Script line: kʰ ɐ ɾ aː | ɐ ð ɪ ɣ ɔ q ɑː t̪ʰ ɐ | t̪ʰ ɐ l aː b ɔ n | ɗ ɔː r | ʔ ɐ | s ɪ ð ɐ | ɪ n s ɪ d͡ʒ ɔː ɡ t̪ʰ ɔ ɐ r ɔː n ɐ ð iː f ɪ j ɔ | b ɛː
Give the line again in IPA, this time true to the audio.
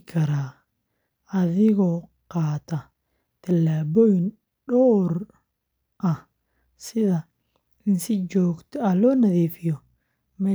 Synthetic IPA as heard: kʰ ɐ ɾ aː | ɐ ð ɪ ɣ ɔ q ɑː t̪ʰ ɐ | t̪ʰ ɐ l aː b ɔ n | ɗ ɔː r | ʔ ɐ | s ɪ ð ɐ | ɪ n s ɪ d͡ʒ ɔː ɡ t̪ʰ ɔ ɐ l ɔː n ɐ ð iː f ɪ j ɔ | m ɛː